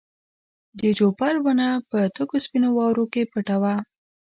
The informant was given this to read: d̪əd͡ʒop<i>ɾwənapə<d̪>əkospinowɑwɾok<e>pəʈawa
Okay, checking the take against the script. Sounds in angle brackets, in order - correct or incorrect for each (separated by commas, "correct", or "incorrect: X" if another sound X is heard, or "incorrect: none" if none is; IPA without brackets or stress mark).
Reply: incorrect: a, incorrect: t̪, correct